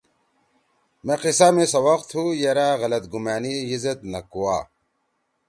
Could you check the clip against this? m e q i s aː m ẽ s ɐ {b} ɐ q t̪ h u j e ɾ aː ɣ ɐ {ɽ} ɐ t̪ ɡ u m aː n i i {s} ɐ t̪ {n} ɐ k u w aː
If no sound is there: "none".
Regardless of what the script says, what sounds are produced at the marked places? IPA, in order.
w, l, z, n

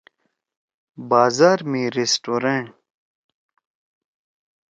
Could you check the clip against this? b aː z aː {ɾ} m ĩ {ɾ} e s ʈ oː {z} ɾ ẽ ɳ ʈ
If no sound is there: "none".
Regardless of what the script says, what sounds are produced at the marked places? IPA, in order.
ɾ, ɾ, none

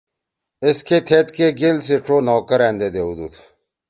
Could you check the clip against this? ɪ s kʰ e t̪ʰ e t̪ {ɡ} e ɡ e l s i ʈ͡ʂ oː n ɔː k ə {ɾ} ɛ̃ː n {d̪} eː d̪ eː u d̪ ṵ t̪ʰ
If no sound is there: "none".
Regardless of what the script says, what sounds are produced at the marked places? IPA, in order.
k, ɾ, d̪

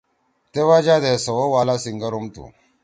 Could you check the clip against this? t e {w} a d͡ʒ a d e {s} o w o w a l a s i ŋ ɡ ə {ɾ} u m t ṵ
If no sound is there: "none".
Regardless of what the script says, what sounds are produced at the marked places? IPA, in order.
w, s, ɾ

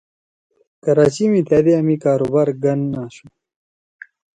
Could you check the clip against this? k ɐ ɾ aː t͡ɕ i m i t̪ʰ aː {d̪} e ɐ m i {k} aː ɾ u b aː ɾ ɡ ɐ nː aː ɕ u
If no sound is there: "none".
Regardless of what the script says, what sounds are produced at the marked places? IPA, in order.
d̪, k

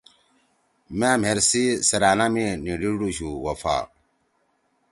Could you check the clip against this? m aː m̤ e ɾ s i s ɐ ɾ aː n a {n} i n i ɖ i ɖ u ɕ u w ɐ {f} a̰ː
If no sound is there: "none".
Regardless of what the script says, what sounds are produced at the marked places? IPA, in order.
m, f

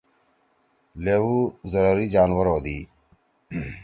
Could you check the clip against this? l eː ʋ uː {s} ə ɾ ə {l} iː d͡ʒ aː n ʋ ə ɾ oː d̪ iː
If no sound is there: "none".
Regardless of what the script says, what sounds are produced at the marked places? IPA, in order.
z, ɾ

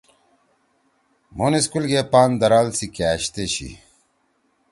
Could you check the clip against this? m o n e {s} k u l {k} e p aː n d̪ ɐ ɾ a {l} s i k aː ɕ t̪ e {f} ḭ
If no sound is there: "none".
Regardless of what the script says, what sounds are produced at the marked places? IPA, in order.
s, ɡ, l, ɕ

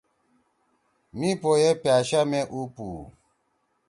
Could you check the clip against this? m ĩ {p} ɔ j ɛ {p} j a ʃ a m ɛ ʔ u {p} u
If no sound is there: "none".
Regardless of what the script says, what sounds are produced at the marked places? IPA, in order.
p, p, p

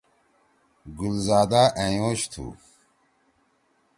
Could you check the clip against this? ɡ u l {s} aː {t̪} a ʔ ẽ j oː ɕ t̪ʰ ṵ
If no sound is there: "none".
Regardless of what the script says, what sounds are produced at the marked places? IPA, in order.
z, d̪

